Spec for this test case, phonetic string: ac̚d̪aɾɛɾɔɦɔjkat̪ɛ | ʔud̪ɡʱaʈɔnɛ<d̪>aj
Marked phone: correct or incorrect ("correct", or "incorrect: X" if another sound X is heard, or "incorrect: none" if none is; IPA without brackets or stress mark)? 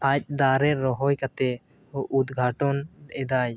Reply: correct